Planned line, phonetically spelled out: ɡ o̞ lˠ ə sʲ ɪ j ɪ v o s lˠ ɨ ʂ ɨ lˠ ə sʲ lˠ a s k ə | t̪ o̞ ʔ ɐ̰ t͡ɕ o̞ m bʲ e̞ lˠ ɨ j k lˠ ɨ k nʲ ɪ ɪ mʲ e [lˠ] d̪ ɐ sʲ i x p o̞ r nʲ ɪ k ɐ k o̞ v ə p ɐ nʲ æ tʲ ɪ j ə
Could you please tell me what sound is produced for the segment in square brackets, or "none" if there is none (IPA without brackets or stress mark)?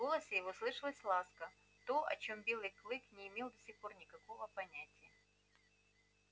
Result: lˠ